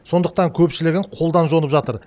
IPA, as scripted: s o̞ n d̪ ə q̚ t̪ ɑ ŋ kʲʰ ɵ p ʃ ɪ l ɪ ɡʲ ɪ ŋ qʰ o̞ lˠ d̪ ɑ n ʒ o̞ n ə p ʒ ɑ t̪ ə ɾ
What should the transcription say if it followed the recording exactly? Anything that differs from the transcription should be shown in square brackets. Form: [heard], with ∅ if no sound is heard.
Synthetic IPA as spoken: s o̞ n d̪ ə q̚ t̪ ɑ ŋ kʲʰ ɵ p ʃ ɪ l ɪ ɡʲ ɪ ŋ qʰ o̞ lˠ d̪ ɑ n ʒ o̞ n ə p ʒ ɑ t̪ ə ɾ

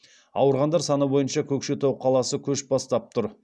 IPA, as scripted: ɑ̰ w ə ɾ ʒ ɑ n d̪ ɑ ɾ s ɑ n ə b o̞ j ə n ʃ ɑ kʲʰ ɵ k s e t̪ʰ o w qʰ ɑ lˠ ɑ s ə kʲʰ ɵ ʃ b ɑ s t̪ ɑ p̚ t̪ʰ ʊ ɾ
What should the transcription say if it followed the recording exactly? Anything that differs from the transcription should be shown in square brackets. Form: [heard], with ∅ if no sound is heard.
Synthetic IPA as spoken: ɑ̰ w ə ɾ [ʁ] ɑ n d̪ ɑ ɾ s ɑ n ə b o̞ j ə n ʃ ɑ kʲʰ ɵ k [ʃ] e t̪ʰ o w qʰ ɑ lˠ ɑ s ə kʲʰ ɵ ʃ b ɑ s t̪ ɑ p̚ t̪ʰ ʊ ɾ

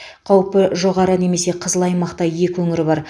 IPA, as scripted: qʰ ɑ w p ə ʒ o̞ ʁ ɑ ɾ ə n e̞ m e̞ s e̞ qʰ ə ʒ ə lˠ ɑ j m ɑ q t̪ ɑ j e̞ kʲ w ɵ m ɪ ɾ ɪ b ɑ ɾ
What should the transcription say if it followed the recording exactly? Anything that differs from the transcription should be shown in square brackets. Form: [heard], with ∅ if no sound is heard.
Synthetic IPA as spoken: qʰ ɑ w p ə ʒ o̞ ʁ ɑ ɾ ə n e̞ m e̞ s e̞ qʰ ə [z] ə lˠ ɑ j m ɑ q t̪ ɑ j e̞ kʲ w ɵ [ŋ] ɪ ɾ ɪ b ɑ ɾ

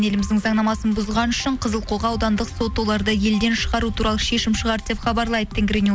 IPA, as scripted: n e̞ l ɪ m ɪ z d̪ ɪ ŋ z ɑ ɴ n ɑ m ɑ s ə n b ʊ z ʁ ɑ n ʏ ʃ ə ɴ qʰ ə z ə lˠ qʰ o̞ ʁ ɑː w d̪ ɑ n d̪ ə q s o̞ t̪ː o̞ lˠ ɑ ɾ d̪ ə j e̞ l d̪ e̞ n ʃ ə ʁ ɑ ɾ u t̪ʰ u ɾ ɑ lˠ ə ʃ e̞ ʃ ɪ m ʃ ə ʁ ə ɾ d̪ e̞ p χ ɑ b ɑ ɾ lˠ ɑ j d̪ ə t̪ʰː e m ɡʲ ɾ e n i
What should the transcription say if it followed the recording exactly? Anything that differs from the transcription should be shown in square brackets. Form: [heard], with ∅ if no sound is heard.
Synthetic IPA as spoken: n e̞ l ɪ m ɪ z d̪ ɪ ŋ z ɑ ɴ n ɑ m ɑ s ə n b ʊ z ʁ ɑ n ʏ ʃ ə ɴ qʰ ə z ə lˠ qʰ o̞ ʁ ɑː w d̪ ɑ n d̪ ə q s o̞ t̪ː o̞ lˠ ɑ ɾ d̪ ə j e̞ l d̪ e̞ n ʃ ə ʁ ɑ ɾ u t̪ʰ u ɾ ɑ lˠ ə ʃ e̞ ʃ ɪ m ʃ ə ʁ [ɑ] ɾ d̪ e̞ p χ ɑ b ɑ ɾ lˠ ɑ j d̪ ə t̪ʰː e [ŋ] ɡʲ ɾ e n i

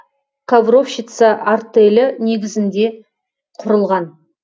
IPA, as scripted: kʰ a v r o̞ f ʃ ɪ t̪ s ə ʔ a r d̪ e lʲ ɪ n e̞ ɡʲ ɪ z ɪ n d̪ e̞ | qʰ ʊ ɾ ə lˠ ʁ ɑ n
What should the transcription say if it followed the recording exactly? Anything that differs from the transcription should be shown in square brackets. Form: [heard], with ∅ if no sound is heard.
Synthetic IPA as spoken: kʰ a v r o̞ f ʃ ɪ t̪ s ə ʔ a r [t̪] e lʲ ɪ n e̞ ɡʲ ɪ z ɪ n d̪ e̞ | qʰ ʊ ɾ ə lˠ ʁ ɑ n

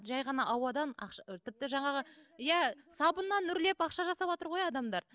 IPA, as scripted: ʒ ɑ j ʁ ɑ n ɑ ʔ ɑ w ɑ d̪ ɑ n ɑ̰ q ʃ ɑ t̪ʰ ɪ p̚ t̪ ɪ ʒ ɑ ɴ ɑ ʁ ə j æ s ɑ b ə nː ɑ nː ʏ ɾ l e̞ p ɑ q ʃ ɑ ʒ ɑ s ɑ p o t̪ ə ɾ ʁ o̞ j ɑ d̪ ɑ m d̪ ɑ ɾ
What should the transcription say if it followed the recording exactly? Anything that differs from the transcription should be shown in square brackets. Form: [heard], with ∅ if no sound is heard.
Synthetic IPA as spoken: ʒ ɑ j ʁ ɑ n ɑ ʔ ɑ w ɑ d̪ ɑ n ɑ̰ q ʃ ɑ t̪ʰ ɪ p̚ t̪ ɪ ʒ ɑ ɴ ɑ ʁ ə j æ s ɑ b ə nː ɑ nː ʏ ɾ l e̞ p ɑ q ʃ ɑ ʒ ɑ s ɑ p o t̪ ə ɾ ʁ o̞ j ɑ d̪ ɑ m d̪ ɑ ɾ

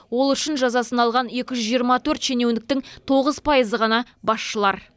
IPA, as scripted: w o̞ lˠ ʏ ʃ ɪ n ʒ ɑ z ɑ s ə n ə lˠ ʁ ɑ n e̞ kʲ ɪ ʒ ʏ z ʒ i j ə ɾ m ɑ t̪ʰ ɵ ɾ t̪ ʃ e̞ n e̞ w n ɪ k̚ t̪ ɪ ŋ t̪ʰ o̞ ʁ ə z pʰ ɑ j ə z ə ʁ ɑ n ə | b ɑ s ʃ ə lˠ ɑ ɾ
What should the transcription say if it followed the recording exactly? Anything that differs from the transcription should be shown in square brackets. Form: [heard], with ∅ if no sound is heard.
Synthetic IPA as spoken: w o̞ lˠ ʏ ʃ ɪ n ʒ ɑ z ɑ s ə n [ɑ] lˠ ʁ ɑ n e̞ kʲ ɪ ʒ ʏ z ʒ i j ə ɾ m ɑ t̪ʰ ɵ ɾ t̪ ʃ e̞ n e̞ w n ɪ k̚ t̪ ɪ ŋ t̪ʰ o̞ ʁ ə z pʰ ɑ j ə z ə ʁ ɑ n [ɑ] | b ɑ s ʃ ə lˠ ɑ ɾ

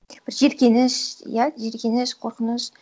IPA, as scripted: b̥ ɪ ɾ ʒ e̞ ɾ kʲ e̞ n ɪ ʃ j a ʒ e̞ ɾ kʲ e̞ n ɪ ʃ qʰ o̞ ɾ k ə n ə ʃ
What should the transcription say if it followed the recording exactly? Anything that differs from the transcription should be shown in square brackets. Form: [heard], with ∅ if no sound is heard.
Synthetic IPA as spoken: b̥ ɪ ɾ ʒ e̞ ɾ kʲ e̞ n ɪ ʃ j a ʒ e̞ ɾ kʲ e̞ n ɪ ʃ qʰ o̞ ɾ [q] ə n ə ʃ

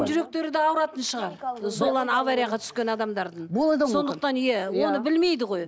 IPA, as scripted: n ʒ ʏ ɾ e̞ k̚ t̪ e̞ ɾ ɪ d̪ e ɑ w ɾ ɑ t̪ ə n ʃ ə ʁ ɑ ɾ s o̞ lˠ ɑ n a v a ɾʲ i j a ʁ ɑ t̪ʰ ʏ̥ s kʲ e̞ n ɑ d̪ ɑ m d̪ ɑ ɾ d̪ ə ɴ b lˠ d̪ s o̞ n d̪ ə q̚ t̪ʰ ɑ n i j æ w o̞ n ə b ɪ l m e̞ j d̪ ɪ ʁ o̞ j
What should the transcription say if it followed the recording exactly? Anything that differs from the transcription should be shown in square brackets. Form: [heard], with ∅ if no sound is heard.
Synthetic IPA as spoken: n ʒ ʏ ɾ e̞ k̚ t̪ e̞ ɾ ɪ d̪ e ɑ w ɾ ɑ t̪ ə n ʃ ə ʁ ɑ ɾ s o̞ lˠ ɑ n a v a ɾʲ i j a ʁ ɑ t̪ʰ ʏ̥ s kʲ e̞ n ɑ d̪ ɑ m d̪ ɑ ɾ d̪ ə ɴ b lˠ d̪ s o̞ n d̪ ə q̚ [t̪] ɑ n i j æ w o̞ n ə b ɪ l m e̞ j d̪ ɪ ʁ o̞ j

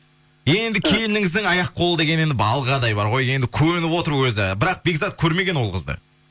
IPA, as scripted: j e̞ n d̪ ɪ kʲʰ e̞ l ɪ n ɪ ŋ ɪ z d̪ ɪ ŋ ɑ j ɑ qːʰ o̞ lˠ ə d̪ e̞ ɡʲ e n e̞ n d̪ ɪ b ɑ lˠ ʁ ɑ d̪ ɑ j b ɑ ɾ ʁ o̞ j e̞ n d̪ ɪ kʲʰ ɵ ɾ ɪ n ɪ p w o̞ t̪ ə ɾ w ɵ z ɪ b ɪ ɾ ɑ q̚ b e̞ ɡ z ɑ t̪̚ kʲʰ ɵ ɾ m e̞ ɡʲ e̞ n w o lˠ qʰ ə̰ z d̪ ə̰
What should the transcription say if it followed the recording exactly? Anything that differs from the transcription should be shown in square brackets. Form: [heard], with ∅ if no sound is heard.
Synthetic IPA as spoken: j e̞ n d̪ ɪ kʲʰ e̞ l ɪ n ɪ ŋ ɪ z d̪ ɪ ŋ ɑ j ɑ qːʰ o̞ lˠ ə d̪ e̞ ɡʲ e n e̞ n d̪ ɪ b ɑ lˠ ʁ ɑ d̪ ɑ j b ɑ ɾ ʁ o̞ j e̞ n d̪ ɪ kʲʰ ɵ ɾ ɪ n ɪ p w o̞ t̪ ə ɾ w ɵ z ɪ b ɪ ɾ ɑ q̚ b e̞ ɡ z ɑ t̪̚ kʲʰ ɵ ɾ m e̞ ɡʲ e̞ n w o lˠ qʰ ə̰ z d̪ ə̰

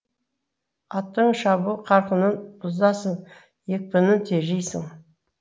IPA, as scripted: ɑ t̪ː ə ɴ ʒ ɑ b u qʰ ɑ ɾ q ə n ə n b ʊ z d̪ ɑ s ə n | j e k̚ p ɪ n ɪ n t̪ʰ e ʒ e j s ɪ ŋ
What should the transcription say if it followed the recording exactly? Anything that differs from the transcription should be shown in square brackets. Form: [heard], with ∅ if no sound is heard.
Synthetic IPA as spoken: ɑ t̪ː ə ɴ [ʃ] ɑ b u qʰ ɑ ɾ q ə n ə n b ʊ z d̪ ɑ s ə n | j e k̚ p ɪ n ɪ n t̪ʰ e ʒ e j s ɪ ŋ

